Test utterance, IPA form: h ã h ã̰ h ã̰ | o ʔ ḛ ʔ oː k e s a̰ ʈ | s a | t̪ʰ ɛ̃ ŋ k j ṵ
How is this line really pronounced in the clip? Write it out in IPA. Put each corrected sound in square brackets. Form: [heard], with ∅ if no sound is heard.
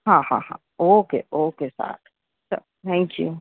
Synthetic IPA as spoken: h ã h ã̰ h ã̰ | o [k] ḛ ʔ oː k e s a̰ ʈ | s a | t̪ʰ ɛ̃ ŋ k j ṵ